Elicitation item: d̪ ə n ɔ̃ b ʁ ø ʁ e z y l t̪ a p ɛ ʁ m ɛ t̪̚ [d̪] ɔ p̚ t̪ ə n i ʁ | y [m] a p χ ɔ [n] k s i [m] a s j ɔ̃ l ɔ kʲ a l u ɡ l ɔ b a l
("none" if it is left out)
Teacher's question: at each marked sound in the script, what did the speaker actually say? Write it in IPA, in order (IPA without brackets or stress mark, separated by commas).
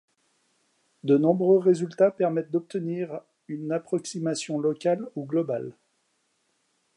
d̪, n, none, m